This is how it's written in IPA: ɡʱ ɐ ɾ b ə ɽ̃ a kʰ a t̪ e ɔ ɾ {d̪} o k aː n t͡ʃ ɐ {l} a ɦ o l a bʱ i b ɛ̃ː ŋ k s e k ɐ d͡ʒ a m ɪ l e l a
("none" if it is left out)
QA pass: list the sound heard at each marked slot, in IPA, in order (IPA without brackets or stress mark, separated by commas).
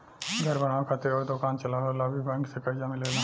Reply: d̪, l